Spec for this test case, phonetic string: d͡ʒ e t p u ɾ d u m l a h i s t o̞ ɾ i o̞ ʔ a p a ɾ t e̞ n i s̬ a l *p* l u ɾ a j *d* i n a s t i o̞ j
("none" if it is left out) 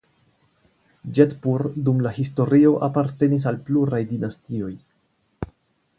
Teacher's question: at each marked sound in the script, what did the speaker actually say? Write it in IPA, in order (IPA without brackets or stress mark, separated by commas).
p, d